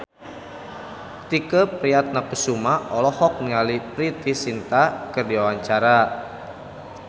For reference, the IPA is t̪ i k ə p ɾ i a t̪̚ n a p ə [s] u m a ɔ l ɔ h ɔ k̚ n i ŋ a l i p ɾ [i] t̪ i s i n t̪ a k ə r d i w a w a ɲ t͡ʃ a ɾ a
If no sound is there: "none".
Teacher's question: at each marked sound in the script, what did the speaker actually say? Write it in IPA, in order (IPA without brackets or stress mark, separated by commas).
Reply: s, i